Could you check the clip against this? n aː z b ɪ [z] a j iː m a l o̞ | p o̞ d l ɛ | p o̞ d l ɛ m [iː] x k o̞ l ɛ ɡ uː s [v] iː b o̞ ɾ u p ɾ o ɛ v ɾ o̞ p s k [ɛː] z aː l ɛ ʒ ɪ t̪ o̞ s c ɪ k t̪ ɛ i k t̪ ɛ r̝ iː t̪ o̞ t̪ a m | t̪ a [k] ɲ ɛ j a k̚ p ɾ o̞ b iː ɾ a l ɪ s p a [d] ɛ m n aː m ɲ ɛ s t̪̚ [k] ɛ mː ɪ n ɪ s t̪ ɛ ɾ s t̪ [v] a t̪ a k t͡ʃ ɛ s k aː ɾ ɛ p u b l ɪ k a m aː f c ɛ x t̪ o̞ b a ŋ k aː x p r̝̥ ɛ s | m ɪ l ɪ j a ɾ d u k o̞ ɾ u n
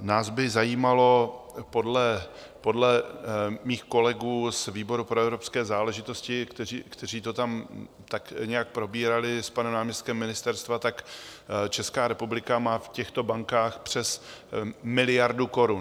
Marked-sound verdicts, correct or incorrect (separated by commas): correct, correct, correct, correct, correct, incorrect, correct, correct